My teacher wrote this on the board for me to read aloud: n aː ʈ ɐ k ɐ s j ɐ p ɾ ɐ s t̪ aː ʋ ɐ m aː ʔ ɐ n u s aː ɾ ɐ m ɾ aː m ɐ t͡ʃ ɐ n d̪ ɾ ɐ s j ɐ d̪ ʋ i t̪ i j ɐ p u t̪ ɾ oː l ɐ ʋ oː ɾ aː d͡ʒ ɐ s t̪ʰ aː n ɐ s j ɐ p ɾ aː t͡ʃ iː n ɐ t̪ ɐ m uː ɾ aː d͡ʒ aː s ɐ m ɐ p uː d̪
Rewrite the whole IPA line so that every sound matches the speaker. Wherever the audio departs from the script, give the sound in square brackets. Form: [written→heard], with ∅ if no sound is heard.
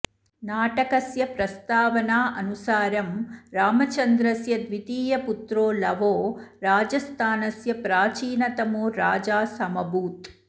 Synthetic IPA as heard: n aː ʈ ɐ k ɐ s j ɐ p ɾ ɐ s t̪ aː ʋ ɐ [m→n] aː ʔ ɐ n u s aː ɾ ɐ m ɾ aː m ɐ t͡ʃ ɐ n d̪ ɾ ɐ s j ɐ d̪ ʋ i t̪ [i→iː] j ɐ p u t̪ ɾ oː l ɐ ʋ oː ɾ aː d͡ʒ ɐ s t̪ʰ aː n ɐ s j ɐ p ɾ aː t͡ʃ iː n ɐ t̪ ɐ m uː ɾ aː d͡ʒ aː s ɐ m ɐ [p→b] uː [d̪→t̪]